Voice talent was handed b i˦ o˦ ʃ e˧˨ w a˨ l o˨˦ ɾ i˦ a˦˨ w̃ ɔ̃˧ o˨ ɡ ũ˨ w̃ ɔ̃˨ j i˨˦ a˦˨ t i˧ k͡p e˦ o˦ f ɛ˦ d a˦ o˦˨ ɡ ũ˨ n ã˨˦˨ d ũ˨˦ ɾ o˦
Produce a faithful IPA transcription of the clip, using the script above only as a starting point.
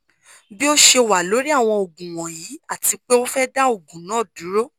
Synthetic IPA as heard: b i˦ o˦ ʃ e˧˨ w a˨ l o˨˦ ɾ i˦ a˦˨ w̃ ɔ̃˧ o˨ ɡ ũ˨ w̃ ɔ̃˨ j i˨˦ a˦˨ t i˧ k͡p e˦ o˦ f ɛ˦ d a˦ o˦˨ ɡ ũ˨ n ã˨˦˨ d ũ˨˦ ɾ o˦